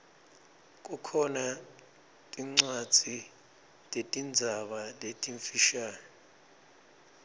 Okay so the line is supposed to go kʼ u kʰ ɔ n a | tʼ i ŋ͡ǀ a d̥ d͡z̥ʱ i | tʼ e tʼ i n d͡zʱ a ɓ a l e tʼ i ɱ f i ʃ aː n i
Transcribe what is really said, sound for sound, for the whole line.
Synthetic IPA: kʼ u kʰ ɔ n a | tʼ i ŋ͡ǀ a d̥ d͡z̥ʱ i | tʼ e tʼ i n d͡zʱ a ɓ a l e tʼ i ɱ f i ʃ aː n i